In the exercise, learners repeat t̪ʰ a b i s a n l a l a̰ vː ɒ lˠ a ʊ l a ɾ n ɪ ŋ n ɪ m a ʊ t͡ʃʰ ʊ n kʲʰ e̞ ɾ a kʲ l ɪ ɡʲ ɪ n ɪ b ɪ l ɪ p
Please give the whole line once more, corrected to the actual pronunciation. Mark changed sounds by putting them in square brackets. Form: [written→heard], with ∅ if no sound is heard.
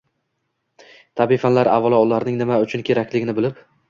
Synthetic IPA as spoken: t̪ʰ a b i [s→f] a n l a [l→ɾ] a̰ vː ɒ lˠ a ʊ l a ɾ n ɪ ŋ n ɪ m a ʊ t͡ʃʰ ʊ n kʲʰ e̞ ɾ a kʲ l ɪ ɡʲ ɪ n ɪ b ɪ l ɪ p